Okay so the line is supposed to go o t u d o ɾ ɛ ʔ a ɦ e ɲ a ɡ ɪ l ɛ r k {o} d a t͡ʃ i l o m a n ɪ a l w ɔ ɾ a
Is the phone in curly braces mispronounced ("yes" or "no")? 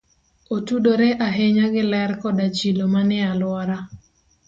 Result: yes